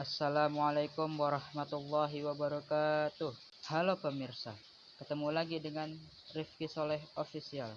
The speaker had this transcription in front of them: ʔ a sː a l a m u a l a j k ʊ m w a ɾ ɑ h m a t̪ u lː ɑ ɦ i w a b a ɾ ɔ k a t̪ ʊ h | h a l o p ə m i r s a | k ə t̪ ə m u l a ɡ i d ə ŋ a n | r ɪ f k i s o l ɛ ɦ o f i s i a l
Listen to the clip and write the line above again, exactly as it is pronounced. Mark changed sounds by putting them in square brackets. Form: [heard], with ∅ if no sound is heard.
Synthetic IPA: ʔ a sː a l a m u a l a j k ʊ m w a ɾ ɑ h m a t̪ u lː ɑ ɦ i w a b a ɾ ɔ k a t̪ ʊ h | h a l o p ə m i r s a | k ə t̪ ə m u l a ɡ i d ə ŋ a n | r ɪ f k i s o l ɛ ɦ o f i s i a l